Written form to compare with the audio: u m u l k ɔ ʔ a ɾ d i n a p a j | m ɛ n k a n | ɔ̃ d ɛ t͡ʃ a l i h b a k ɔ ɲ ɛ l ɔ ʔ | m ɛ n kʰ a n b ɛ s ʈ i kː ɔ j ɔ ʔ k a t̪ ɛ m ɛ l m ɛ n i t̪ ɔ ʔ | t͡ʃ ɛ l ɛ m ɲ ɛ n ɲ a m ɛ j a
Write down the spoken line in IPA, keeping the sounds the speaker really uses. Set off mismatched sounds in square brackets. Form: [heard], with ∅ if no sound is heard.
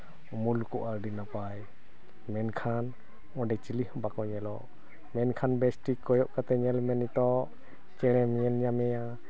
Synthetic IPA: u m u l k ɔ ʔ a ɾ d i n a p a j | m ɛ n [kʰ] a n | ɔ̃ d ɛ t͡ʃ [i] l i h b a k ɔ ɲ ɛ l ɔ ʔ | m ɛ n kʰ a n b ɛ s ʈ i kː ɔ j ɔ ʔ k a t̪ ɛ [ɲ] ɛ l m ɛ n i t̪ ɔ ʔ | t͡ʃ ɛ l ɛ m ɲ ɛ n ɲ a m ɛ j a